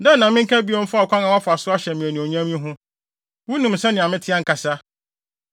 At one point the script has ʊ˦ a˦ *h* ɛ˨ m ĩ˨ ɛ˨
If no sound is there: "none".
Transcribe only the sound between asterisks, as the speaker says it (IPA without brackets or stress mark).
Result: ɕ